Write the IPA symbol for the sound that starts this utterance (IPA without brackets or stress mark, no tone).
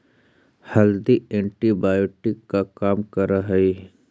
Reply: h